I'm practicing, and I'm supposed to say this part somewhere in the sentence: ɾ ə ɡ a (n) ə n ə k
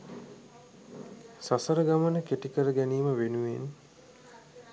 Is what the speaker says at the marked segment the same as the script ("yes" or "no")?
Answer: no